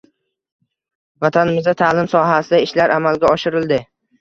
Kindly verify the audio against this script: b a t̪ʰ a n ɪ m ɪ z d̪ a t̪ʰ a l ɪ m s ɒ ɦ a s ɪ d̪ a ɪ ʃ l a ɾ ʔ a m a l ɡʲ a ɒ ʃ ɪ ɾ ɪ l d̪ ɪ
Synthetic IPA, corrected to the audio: v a t̪ʰ a n ɪ m ɪ z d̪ a t̪ʰ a l ɪ m s ɒ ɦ a s ɪ d̪ a ɪ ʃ l a ɾ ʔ a m a l ɡʲ a ɒ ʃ ɪ ɾ ɪ l d̪ ɪ